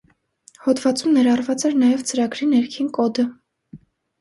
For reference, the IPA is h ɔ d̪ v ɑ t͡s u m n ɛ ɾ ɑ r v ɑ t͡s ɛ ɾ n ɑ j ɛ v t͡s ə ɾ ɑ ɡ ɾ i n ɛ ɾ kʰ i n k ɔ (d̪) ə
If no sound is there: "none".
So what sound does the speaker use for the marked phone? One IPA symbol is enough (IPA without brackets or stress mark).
d̪